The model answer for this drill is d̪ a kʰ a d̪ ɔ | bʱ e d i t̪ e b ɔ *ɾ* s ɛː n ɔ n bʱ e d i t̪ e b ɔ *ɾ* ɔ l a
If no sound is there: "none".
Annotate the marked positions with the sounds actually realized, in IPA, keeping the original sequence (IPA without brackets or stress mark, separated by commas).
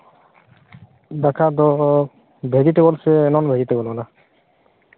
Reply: l, l